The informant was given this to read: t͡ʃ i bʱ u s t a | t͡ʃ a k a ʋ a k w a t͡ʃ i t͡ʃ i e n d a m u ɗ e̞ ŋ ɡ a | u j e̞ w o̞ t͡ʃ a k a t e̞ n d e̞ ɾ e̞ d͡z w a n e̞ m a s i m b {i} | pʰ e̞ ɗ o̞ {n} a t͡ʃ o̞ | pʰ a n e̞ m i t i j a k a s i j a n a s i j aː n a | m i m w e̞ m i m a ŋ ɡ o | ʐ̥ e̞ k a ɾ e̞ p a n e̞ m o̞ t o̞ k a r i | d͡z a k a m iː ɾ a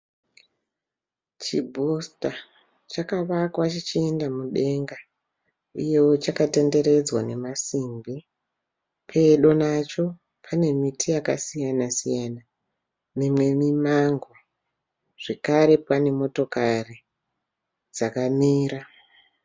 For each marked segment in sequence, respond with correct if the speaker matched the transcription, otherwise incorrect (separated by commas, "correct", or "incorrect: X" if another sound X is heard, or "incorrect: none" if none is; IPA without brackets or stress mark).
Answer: correct, correct